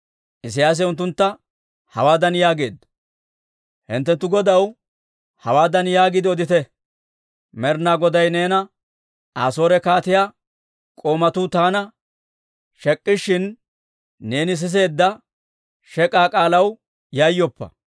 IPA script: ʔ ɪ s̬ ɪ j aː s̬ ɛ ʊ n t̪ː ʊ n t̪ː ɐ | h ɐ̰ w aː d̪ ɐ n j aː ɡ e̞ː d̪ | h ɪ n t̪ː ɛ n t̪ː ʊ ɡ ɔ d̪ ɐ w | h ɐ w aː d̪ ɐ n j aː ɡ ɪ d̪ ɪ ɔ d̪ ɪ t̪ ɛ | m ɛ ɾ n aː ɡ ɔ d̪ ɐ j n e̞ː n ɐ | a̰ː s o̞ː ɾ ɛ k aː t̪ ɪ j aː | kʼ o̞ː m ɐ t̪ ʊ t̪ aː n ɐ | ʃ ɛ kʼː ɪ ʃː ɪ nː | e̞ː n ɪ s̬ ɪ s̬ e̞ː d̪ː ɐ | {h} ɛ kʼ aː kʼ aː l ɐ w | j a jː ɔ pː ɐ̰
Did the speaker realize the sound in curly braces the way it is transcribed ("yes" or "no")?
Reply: no